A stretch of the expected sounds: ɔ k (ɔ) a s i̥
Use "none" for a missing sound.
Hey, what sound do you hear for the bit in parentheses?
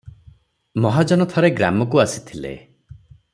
u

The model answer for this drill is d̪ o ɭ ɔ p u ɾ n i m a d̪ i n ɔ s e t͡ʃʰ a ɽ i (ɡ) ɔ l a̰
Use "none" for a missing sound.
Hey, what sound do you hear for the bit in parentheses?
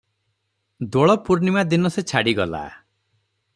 ɡ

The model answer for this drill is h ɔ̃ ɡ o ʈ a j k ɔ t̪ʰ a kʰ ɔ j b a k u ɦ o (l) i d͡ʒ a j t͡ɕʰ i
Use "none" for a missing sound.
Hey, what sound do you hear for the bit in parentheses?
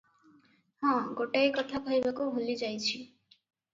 l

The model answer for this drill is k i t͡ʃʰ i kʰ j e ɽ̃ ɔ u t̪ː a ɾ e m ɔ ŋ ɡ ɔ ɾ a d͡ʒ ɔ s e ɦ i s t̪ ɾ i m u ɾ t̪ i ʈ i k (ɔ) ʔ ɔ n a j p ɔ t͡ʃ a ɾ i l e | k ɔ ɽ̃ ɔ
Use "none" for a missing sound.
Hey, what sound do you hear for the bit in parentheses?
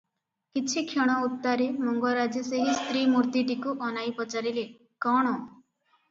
u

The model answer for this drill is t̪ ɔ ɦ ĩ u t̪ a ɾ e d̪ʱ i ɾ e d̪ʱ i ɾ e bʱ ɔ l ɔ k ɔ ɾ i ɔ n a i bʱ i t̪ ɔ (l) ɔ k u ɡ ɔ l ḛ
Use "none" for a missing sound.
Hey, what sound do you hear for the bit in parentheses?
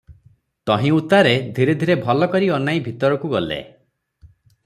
ɾ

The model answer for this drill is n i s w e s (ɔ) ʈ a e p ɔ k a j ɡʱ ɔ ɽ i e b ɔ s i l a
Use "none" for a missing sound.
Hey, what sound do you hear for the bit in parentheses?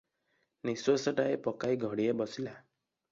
ɔ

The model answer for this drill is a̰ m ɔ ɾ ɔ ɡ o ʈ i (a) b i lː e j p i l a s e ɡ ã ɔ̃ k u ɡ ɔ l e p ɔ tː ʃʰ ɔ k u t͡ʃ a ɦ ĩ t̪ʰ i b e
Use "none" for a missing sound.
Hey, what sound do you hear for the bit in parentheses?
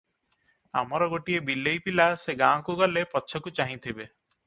e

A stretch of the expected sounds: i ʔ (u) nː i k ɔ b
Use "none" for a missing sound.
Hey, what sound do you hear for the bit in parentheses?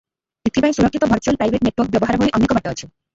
ɔ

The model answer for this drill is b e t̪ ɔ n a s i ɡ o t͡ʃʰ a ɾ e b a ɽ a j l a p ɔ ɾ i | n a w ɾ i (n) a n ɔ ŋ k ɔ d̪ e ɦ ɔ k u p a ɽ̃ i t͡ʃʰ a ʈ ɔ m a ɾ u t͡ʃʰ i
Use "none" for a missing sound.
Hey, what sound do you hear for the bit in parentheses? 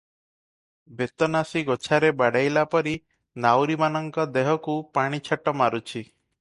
m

